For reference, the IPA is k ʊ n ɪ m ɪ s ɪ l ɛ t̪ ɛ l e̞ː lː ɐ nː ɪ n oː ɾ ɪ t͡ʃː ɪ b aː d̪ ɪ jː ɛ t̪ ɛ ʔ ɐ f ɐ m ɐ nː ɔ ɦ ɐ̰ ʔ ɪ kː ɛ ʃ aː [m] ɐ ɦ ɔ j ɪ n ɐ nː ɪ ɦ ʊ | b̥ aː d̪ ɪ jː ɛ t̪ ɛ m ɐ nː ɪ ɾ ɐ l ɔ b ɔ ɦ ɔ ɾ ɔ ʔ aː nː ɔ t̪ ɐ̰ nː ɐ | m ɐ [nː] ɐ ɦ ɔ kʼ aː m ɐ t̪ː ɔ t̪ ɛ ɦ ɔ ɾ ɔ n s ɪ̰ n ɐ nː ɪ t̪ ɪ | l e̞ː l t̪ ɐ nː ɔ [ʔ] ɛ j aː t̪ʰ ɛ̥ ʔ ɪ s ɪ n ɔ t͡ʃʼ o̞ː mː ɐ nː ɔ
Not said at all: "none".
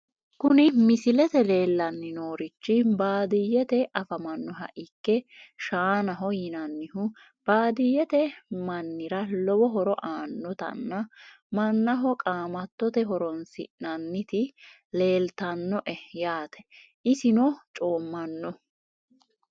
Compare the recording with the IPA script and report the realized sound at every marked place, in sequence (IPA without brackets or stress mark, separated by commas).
n, nː, ʔ